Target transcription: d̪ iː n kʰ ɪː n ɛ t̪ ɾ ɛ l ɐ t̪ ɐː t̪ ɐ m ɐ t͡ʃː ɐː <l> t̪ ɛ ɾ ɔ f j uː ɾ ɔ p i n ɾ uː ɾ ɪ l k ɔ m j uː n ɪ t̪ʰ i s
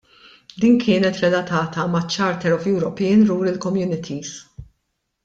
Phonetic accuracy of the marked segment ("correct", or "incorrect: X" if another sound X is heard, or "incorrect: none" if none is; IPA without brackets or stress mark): incorrect: ɾ